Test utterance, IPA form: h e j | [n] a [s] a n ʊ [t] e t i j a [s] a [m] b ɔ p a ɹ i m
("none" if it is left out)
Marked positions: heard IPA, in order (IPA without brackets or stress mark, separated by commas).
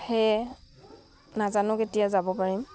n, z, k, z, none